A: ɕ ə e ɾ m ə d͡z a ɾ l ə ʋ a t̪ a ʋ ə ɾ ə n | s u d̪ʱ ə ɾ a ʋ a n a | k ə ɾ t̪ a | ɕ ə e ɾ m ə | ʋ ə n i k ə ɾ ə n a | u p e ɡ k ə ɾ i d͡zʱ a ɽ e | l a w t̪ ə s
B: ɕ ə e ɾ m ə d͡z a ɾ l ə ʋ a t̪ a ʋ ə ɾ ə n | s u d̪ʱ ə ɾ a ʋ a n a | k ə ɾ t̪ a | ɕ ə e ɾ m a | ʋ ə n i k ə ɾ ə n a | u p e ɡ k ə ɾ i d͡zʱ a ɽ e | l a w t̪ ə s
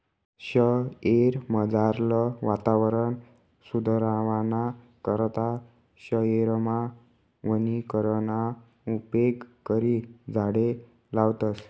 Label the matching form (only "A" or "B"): B